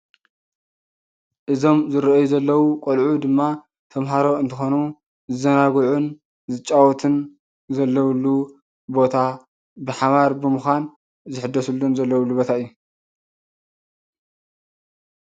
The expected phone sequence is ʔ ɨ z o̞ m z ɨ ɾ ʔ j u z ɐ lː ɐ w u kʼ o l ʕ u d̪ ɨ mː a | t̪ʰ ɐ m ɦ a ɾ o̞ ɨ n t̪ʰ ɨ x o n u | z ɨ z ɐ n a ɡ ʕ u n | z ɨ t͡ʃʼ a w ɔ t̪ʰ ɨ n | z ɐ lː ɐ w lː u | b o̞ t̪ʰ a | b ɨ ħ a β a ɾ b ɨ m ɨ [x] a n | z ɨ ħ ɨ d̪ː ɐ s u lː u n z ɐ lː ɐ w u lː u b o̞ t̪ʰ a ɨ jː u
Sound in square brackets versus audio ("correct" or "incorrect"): correct